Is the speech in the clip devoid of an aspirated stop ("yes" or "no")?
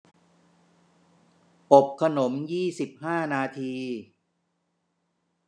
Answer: no